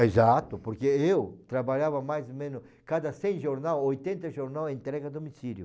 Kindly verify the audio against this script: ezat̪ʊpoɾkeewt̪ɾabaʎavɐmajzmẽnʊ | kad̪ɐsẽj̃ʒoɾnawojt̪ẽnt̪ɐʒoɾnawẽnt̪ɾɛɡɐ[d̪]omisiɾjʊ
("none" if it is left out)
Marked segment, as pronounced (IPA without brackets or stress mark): d̪